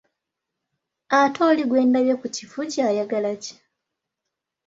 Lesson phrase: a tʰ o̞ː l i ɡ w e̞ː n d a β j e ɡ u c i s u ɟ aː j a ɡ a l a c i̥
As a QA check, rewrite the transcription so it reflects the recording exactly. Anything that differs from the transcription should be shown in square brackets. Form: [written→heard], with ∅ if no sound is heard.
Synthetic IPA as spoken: a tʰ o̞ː l i ɡ w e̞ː n d a β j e [ɡ→k] u c i [s→f] u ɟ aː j a ɡ a l a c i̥